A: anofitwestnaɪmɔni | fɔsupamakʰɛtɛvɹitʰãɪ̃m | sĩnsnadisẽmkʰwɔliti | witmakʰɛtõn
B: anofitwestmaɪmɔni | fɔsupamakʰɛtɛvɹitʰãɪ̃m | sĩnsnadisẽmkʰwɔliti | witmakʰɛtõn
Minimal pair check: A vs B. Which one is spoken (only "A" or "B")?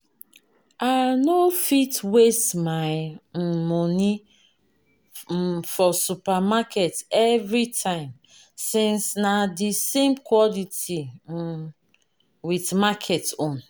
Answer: B